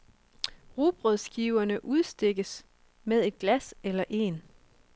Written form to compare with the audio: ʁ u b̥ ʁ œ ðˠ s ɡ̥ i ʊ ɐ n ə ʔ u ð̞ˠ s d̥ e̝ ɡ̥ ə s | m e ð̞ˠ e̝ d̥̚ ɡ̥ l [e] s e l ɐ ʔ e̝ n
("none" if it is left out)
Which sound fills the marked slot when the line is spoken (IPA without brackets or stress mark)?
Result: æ